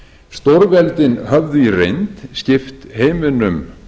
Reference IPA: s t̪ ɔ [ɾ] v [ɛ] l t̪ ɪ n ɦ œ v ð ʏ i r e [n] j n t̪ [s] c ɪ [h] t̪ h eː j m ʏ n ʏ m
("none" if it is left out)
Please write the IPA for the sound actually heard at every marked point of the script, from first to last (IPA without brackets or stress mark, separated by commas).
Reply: ɾ, ɛ, none, s, f